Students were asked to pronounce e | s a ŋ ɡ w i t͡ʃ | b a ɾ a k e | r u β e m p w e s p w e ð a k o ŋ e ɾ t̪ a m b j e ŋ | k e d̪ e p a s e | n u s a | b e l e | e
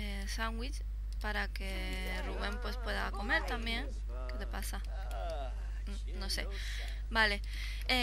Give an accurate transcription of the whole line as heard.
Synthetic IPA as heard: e | s a ŋ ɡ w i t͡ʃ | p a ɾ a k e | r u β e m p w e s p w e ð a k o m e ɾ t̪ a m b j e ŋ | k e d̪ e p a s a | n o s e | b a l e | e